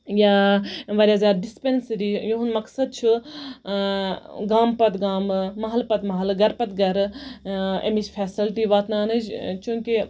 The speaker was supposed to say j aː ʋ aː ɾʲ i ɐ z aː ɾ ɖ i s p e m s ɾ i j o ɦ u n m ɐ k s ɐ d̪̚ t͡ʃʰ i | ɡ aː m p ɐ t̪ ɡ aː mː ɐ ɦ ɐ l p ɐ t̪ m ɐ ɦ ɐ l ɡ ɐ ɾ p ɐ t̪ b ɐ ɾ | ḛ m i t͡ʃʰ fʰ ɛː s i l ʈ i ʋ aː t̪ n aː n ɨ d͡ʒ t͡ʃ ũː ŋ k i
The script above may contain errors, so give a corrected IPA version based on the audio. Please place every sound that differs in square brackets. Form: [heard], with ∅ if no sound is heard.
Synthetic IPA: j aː ʋ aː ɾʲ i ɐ z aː ɾ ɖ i s p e [n] s ɾ i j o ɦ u n m ɐ k s ɐ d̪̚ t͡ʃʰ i | ɡ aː m p ɐ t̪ ɡ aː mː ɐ ɦ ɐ l p ɐ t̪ m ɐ ɦ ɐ l ɡ ɐ ɾ p ɐ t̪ [ɡ] ɐ ɾ | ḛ m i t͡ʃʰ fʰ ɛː s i l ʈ i ʋ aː t̪ n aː n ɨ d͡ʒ t͡ʃ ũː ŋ k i